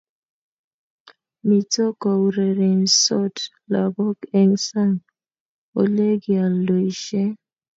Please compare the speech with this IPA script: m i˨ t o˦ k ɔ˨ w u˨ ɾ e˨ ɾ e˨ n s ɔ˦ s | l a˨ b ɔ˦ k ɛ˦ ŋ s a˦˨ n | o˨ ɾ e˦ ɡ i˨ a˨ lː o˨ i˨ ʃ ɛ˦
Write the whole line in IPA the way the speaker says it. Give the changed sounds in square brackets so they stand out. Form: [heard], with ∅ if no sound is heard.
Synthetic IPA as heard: m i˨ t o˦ k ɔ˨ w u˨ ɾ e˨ ɾ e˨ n s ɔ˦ [t] | l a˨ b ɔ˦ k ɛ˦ ŋ s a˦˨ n | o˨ [l] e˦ ɡ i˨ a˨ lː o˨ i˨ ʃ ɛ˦

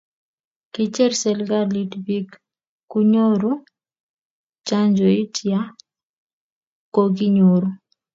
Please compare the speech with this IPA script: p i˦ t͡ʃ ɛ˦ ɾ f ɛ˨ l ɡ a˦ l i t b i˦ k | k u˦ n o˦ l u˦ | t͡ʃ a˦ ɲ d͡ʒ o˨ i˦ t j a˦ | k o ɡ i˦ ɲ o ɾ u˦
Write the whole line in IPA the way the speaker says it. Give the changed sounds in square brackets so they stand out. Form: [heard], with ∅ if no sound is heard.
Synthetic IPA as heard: [k] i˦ t͡ʃ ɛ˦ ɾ [s] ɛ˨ l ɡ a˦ l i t b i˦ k | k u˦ [ɲ] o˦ [ɾ] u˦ | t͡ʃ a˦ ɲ d͡ʒ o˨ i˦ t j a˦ | k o ɡ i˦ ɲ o ɾ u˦

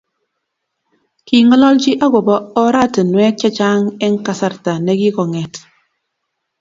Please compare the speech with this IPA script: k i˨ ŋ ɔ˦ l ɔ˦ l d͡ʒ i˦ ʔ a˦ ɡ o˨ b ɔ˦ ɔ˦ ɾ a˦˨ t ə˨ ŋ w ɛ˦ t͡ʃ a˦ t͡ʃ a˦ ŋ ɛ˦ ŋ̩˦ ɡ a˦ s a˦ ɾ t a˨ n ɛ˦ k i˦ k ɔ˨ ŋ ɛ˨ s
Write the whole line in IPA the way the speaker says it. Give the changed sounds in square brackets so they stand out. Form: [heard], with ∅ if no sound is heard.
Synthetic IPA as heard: k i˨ ŋ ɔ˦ l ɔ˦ l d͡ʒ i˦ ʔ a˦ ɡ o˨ b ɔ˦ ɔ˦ ɾ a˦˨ t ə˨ [n] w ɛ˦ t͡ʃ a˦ t͡ʃ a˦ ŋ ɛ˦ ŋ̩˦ [k] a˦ s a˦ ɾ t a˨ n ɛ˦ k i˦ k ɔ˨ ŋ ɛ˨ [t]

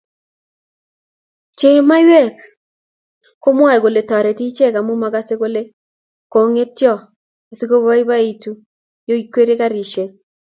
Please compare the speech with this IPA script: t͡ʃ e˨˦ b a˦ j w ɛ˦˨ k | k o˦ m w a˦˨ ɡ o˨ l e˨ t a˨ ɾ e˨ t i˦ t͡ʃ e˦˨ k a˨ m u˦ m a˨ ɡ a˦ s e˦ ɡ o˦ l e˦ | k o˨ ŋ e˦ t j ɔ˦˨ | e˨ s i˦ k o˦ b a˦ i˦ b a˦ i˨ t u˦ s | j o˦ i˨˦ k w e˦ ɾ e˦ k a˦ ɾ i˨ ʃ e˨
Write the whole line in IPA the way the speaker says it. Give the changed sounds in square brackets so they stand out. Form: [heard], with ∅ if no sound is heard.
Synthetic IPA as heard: t͡ʃ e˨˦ [m] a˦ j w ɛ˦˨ k | k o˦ m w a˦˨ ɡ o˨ l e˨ t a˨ ɾ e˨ t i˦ t͡ʃ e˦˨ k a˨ m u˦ m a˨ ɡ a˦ s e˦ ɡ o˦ l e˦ | k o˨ ŋ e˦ t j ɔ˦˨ | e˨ s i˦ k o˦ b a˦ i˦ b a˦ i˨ t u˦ [∅] | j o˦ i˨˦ k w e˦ ɾ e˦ k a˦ ɾ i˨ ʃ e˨

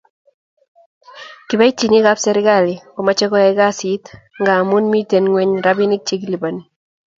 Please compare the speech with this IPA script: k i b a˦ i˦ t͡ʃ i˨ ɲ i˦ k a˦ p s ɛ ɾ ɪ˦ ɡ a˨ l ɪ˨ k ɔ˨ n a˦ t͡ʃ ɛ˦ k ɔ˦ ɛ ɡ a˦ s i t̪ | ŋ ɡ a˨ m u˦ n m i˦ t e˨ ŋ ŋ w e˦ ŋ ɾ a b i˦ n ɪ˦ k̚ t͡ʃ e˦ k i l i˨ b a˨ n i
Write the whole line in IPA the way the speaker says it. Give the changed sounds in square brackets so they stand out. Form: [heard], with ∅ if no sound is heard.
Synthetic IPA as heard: k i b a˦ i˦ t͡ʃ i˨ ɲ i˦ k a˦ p s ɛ ɾ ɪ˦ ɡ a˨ l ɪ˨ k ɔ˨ [m] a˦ t͡ʃ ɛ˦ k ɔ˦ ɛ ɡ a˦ s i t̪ | ŋ ɡ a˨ m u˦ n m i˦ t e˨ [n] ŋ w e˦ [ɲ] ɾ a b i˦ n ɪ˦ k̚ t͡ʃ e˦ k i l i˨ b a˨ n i

